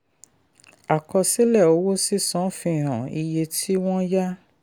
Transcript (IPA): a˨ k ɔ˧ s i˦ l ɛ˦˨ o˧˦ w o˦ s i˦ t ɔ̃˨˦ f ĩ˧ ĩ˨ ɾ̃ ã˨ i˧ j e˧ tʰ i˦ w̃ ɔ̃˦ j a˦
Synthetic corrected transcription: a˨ k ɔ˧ s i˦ l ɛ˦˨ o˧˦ w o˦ s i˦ s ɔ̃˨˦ f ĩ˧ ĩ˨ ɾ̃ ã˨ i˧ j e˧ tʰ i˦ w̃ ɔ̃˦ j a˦

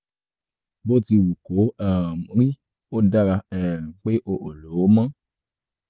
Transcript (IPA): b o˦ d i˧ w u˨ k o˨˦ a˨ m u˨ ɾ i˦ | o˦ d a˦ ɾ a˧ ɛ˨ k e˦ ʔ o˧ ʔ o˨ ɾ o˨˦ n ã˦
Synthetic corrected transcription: b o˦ t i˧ w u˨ k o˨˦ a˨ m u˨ ɾ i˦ | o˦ d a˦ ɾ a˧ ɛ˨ k͡p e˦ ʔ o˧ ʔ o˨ l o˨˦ m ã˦

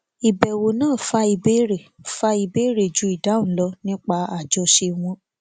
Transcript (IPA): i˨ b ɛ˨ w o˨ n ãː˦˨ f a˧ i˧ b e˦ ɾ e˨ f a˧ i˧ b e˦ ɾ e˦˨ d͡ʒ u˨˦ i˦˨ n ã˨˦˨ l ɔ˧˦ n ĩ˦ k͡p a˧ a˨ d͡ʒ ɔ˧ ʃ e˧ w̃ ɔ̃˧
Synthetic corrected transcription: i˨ b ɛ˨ w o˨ n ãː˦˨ f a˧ i˧ b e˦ ɾ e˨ f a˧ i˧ b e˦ ɾ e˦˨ d͡ʒ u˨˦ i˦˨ d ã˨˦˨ l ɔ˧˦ n ĩ˦ k͡p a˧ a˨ d͡ʒ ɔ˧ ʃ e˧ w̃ ɔ̃˧

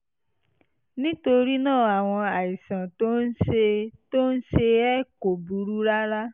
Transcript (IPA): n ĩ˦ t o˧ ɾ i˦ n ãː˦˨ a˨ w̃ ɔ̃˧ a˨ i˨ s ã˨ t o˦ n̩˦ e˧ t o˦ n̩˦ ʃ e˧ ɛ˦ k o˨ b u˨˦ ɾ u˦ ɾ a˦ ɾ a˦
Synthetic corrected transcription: n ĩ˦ t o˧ ɾ i˦ n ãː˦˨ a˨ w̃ ɔ̃˧ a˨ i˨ s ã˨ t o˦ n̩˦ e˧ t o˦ n̩˦ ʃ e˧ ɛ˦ k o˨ b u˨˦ ɾ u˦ ɾ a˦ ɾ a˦

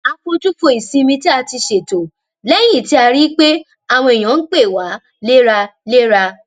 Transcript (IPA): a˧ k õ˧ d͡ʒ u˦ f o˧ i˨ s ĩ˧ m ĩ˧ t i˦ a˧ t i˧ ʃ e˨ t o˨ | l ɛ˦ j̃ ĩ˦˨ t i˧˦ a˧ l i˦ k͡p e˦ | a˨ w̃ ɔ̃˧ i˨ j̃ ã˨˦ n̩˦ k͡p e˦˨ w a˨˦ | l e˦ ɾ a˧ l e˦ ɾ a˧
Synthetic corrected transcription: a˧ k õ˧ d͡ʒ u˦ f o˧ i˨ s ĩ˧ m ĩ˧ t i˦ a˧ t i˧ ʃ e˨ t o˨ | l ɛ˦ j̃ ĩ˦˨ t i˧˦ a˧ ɾ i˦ k͡p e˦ | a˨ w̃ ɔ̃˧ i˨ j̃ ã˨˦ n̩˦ k͡p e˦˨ w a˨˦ | l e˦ ɾ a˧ l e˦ ɾ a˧

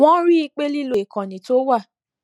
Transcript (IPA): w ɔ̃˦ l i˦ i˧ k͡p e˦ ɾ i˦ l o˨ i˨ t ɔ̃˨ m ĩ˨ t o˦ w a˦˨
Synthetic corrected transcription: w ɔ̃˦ ɾ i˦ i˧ k͡p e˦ l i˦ l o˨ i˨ k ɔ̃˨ n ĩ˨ t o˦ w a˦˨

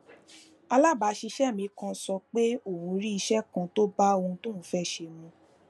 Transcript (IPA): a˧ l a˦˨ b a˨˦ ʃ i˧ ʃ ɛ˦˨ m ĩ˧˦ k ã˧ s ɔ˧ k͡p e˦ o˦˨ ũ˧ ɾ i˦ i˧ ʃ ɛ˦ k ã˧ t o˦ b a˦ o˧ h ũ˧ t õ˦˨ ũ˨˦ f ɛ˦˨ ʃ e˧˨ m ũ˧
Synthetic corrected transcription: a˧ l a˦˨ b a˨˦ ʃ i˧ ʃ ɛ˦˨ m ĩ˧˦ k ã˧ s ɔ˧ k͡p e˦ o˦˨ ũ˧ ɾ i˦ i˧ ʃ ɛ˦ k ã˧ t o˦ b a˦ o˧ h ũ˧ t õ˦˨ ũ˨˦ f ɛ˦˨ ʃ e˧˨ m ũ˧

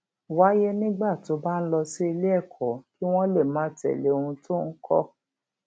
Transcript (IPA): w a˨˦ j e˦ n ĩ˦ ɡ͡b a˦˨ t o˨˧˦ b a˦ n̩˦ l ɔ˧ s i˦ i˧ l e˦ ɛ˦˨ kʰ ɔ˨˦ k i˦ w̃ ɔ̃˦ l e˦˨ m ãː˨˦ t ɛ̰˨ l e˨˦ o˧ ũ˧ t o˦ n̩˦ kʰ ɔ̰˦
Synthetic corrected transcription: w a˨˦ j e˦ n ĩ˦ ɡ͡b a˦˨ t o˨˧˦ b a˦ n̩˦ l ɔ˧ s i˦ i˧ l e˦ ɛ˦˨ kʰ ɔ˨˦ k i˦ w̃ ɔ̃˦ l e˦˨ m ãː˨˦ t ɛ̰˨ l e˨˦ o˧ ũ˧ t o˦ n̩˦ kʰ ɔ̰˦

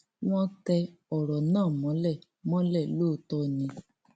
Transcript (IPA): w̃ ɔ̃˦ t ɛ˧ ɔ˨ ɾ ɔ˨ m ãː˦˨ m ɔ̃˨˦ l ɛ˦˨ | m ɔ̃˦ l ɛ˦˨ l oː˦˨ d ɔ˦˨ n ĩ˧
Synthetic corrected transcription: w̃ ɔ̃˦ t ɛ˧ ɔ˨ ɾ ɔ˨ n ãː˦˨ m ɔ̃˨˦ l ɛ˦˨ | m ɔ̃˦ l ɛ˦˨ l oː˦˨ t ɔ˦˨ n ĩ˧

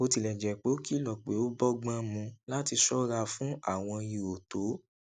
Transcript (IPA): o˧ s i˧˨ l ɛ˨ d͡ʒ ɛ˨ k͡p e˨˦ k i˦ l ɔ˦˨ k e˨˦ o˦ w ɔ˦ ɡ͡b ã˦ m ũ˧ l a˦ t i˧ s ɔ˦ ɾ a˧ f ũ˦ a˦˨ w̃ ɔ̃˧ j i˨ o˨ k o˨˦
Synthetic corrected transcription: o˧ t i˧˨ l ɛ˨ d͡ʒ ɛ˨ k͡p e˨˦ k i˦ l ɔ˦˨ k͡p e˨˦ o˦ b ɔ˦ ɡ͡b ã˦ m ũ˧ l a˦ t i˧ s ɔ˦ ɾ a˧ f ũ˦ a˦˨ w̃ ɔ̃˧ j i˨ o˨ t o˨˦

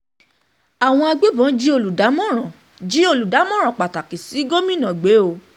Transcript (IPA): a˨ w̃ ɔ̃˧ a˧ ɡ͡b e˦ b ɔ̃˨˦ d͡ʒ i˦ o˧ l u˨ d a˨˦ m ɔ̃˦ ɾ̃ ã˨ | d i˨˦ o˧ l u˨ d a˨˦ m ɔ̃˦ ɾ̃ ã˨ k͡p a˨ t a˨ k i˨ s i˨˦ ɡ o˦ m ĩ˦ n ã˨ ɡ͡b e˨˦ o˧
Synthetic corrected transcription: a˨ w̃ ɔ̃˧ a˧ ɡ͡b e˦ b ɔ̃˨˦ d͡ʒ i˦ o˧ l u˨ d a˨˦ m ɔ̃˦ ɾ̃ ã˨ | d͡ʒ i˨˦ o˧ l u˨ d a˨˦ m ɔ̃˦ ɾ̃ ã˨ k͡p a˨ t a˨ k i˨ s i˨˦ ɡ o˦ m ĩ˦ n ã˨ ɡ͡b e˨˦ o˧

